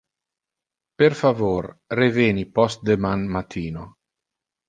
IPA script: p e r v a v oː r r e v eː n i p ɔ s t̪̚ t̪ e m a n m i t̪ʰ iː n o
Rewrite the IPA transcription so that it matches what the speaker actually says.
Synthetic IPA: p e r f a v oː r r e v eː n i p ɔ s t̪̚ d̪ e m a n m a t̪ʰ iː n o